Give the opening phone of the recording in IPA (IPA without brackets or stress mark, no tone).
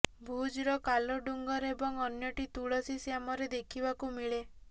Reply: bʱ